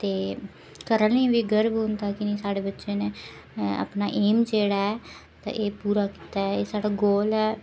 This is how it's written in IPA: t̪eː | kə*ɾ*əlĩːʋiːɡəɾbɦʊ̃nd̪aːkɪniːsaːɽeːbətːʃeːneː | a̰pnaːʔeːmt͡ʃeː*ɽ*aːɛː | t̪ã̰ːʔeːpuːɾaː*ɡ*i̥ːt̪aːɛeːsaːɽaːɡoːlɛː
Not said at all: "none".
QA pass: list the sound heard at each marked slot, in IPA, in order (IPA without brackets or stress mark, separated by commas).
ɾ, ɽ, k